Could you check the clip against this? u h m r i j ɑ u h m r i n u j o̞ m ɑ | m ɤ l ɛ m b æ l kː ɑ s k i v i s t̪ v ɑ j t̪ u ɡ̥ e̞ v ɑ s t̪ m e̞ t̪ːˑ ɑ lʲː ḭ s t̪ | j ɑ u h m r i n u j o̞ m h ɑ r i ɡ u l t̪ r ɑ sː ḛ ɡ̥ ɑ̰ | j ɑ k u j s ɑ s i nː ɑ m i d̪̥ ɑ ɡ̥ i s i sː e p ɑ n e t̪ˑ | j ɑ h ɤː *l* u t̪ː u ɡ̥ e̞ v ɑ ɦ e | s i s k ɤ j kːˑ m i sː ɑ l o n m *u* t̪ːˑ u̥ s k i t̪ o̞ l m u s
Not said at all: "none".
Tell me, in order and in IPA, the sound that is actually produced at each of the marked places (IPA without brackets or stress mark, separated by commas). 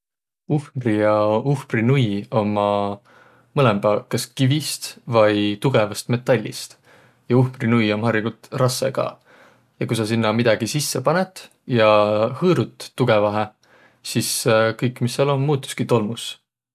ɾ, uː